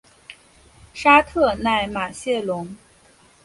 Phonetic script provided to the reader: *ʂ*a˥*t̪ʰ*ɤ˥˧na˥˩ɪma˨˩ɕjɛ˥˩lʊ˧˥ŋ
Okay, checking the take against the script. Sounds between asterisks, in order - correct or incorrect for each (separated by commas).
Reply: correct, correct